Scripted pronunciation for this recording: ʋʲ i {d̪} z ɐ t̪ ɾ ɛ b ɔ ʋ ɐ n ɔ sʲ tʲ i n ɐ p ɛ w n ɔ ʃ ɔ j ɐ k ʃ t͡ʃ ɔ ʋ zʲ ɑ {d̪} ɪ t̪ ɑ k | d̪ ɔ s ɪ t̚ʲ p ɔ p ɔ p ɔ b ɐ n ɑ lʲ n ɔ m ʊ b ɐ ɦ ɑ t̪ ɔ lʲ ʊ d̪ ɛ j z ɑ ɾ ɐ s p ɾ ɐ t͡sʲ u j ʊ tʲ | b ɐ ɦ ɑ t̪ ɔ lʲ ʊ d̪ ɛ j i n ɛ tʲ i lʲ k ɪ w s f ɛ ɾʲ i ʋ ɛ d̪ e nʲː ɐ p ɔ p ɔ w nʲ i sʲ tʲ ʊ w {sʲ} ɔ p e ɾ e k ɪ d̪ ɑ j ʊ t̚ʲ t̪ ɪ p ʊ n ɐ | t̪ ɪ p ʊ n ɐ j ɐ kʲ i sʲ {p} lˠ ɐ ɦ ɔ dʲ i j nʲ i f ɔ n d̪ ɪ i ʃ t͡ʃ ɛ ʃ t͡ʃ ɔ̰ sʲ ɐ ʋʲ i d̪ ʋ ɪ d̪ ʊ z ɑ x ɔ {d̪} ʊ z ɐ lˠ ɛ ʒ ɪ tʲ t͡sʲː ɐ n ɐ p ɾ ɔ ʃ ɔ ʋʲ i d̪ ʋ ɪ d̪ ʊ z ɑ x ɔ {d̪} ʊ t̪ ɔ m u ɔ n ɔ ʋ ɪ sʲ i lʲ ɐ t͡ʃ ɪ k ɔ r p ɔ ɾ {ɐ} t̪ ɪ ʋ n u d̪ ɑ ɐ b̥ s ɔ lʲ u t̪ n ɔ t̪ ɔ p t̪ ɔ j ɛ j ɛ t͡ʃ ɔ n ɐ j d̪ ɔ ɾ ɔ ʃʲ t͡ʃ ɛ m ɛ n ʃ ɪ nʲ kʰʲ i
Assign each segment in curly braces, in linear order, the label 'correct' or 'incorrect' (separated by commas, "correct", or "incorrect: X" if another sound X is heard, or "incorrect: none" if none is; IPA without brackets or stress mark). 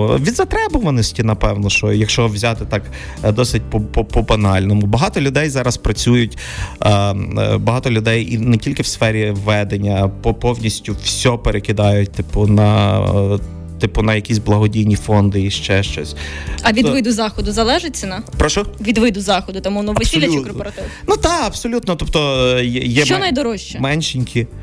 correct, incorrect: t̪, correct, incorrect: b, correct, correct, correct